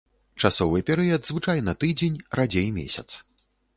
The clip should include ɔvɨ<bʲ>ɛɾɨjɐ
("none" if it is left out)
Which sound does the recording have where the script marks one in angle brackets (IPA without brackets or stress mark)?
pʲ